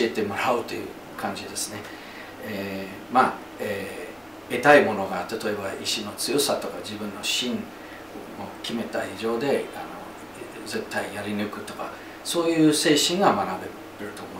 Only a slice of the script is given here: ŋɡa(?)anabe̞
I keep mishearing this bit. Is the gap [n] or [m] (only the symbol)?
m